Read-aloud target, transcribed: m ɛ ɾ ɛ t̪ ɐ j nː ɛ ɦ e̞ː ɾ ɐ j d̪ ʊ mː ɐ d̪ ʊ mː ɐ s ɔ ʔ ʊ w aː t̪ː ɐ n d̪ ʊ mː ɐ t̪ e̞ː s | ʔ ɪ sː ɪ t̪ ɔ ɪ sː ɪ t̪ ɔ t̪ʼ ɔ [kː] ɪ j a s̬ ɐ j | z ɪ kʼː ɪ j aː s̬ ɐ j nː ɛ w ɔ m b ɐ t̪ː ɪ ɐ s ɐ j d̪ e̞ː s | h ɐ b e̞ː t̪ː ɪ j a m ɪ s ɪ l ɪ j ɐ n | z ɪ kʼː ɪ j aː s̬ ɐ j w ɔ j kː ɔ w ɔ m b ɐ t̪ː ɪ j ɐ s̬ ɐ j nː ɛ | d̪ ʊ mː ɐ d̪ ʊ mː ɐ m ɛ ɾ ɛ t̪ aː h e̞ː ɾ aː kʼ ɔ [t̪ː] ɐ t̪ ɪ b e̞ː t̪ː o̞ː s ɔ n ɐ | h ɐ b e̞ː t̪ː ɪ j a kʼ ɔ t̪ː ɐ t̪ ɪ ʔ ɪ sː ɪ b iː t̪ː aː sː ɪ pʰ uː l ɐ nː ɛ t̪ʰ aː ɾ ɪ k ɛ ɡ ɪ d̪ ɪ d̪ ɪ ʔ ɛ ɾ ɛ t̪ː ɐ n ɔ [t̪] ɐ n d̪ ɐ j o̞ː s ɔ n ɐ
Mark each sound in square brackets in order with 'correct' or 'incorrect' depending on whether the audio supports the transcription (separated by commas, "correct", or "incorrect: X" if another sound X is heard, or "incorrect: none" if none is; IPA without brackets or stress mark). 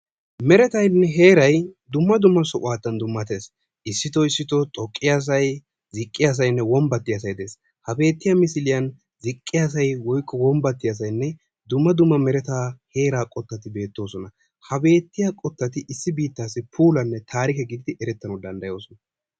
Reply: incorrect: kʼː, correct, incorrect: d̪